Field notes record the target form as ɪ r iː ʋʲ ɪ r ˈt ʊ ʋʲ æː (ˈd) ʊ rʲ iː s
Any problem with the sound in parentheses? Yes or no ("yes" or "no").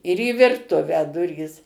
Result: no